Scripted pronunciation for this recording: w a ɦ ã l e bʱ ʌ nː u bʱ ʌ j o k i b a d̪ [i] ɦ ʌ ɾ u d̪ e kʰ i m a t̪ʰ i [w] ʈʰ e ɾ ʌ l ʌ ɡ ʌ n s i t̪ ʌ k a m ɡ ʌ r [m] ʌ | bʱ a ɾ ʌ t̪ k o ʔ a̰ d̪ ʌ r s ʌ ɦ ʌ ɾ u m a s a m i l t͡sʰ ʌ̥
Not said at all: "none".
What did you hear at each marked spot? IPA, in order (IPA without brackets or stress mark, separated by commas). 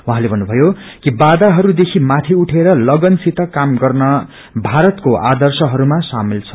a, u, n